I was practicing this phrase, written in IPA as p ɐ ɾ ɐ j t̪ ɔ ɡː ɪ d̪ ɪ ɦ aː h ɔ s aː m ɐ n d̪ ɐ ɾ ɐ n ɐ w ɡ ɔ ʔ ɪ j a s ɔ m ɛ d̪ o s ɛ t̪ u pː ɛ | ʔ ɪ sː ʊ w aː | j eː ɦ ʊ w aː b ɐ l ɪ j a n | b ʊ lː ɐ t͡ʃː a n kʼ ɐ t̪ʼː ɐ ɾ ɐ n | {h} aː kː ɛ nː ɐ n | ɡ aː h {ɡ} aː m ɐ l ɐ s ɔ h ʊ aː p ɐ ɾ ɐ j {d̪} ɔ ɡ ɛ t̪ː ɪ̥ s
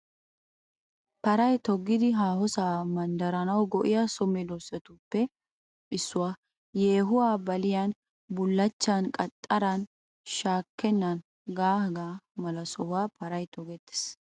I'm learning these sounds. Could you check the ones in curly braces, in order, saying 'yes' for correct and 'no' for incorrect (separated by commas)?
no, yes, no